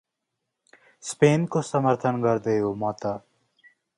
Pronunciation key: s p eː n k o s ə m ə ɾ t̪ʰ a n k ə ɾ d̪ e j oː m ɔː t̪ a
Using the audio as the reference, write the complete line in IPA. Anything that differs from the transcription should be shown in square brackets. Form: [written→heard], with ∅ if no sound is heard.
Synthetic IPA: s p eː n k o s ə m ə ɾ t̪ʰ [a→ə] n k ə ɾ d̪ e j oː m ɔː t̪ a